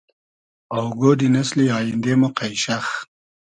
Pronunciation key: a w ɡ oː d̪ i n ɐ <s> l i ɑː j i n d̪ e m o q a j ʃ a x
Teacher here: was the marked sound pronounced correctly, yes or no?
yes